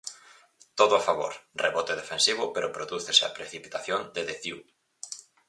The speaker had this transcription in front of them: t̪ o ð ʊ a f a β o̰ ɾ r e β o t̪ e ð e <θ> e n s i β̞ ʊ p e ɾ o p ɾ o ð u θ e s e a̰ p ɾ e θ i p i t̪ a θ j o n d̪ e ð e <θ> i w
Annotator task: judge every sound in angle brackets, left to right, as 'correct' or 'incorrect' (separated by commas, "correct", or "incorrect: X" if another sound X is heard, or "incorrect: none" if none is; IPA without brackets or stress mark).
incorrect: f, correct